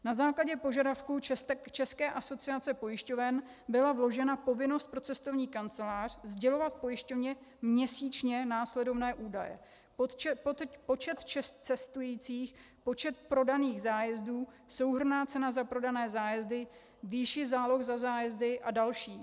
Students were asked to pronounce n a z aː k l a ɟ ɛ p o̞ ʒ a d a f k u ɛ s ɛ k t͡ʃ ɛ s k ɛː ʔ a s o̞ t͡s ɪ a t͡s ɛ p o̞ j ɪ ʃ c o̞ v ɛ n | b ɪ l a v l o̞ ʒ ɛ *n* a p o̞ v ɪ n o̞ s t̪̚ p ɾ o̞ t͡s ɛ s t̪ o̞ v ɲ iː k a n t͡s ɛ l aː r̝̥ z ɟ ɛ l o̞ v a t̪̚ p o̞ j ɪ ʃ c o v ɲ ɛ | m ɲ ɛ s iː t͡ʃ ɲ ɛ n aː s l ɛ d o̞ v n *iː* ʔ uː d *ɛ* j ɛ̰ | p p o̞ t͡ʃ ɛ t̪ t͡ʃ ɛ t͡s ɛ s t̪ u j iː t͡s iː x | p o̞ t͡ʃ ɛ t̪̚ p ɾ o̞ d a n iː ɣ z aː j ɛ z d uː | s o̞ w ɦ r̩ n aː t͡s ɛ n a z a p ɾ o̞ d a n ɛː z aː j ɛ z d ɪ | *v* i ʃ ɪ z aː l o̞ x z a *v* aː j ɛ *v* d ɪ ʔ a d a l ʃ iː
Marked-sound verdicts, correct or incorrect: correct, incorrect: ɛː, incorrect: a, correct, incorrect: z, incorrect: z

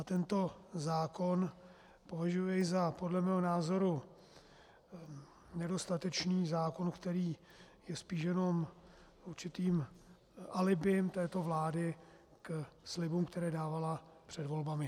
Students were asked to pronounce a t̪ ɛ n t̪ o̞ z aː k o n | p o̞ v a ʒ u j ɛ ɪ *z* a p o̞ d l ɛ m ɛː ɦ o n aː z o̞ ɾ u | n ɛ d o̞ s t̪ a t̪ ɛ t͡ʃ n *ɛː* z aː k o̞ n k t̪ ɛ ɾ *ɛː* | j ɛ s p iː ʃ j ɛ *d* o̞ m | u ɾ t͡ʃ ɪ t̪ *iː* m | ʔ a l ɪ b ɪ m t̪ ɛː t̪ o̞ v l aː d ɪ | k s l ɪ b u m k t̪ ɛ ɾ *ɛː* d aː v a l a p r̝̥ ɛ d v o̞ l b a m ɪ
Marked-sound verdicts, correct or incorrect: correct, incorrect: iː, incorrect: iː, incorrect: n, correct, correct

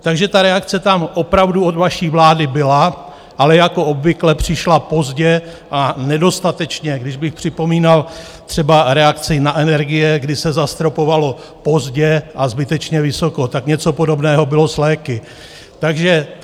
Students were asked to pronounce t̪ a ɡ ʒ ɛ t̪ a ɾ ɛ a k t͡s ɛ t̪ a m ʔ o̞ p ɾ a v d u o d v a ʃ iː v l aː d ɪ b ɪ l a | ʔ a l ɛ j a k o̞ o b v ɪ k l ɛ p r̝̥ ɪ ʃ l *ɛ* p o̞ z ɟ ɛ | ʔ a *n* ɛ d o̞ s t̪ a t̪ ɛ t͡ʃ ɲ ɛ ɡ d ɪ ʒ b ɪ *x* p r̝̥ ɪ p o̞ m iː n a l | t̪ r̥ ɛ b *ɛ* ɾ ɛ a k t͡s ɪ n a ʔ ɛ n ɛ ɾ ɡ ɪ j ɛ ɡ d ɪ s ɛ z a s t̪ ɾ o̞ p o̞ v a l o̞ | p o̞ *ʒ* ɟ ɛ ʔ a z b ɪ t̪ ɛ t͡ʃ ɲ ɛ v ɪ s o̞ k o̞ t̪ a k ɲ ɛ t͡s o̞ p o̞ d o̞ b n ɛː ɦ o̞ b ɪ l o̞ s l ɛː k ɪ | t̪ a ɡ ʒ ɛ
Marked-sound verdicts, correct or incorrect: incorrect: a, correct, correct, incorrect: a, incorrect: z

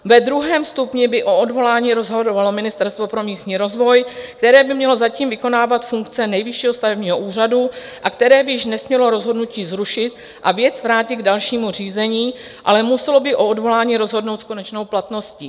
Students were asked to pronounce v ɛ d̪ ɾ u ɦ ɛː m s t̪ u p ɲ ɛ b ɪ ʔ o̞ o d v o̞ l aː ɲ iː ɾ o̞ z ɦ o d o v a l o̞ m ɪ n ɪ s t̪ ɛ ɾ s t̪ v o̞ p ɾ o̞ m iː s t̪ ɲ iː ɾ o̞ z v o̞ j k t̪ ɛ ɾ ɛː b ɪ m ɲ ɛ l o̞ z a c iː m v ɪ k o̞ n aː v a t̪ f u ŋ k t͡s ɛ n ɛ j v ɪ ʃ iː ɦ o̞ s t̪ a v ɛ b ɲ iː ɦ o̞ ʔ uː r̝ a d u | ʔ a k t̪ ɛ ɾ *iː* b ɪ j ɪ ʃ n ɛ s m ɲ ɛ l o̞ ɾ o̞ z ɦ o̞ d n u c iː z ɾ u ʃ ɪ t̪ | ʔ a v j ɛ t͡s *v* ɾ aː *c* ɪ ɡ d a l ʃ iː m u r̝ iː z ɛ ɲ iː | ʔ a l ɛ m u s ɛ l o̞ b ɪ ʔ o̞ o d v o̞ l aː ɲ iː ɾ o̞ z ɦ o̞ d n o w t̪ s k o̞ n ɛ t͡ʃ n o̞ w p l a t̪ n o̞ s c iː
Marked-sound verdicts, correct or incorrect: incorrect: ɛː, correct, correct

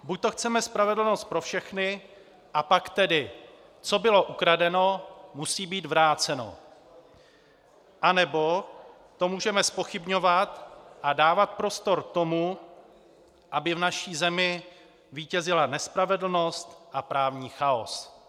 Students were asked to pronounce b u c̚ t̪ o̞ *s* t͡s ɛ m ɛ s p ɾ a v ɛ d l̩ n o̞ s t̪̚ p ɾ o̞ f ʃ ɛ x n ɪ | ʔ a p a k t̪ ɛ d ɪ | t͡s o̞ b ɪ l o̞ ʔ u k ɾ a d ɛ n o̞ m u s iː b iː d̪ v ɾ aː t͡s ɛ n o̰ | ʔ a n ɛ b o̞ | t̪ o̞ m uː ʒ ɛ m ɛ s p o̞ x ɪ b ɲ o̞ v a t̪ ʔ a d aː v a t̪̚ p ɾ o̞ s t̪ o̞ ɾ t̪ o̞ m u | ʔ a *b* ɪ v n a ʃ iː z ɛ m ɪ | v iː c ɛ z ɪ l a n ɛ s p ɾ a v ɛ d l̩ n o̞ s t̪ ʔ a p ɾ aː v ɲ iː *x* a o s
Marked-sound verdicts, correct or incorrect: incorrect: x, correct, correct

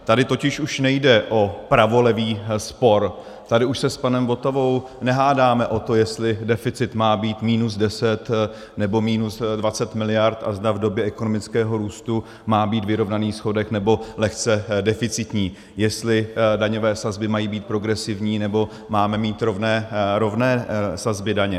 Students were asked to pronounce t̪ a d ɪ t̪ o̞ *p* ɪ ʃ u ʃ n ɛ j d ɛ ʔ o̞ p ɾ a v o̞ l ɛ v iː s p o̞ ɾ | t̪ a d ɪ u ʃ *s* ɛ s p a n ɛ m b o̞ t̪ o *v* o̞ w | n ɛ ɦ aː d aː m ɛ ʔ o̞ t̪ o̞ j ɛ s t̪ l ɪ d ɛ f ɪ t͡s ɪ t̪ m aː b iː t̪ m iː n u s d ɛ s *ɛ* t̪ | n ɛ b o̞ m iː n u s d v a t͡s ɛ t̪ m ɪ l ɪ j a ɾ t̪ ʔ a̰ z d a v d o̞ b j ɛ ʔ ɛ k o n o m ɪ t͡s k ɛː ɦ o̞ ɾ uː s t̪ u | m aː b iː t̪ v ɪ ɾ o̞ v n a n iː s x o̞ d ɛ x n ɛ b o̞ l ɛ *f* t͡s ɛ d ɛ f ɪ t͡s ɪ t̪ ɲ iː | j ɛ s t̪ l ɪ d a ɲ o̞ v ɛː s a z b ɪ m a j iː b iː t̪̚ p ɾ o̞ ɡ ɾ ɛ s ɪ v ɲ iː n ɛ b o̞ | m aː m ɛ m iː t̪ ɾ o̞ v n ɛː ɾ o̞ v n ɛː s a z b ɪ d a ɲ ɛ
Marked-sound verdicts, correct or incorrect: incorrect: c, correct, correct, correct, incorrect: x

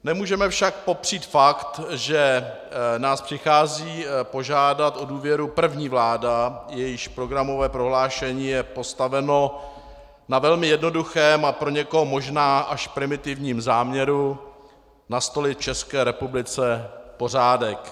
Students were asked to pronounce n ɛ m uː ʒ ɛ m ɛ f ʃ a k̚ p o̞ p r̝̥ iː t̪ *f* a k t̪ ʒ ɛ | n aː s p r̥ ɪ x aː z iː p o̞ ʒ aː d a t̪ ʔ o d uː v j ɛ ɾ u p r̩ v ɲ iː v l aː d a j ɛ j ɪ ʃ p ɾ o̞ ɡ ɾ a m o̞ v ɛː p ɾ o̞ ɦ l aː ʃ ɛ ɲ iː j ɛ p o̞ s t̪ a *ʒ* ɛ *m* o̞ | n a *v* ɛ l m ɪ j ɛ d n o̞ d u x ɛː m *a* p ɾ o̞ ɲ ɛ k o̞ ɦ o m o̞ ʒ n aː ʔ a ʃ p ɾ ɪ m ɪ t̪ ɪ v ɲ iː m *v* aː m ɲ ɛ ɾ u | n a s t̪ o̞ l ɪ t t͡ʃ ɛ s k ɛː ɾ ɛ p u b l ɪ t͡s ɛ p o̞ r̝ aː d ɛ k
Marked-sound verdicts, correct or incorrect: correct, incorrect: v, incorrect: n, correct, correct, incorrect: z

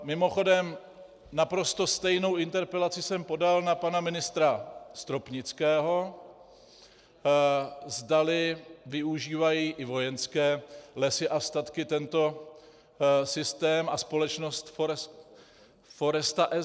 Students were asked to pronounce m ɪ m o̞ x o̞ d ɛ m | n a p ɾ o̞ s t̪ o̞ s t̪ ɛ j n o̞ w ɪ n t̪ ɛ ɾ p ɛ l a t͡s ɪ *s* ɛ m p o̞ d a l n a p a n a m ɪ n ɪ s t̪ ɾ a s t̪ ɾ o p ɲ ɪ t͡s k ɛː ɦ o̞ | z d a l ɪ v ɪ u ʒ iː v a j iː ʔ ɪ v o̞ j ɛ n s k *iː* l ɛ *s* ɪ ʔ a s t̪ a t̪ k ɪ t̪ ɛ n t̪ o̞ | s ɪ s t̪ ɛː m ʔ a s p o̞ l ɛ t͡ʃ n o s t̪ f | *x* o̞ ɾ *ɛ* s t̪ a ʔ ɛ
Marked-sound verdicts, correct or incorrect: correct, incorrect: ɛː, correct, incorrect: f, correct

